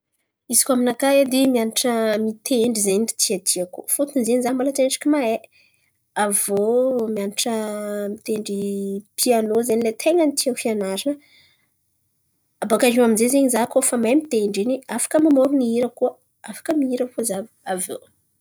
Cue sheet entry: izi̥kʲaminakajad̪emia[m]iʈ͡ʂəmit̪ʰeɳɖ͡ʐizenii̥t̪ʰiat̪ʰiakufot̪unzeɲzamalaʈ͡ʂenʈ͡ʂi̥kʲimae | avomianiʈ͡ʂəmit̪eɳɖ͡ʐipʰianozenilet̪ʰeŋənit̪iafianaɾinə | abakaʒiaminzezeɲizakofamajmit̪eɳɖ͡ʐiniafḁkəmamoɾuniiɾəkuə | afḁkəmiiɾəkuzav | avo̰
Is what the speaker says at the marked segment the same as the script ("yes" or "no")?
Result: no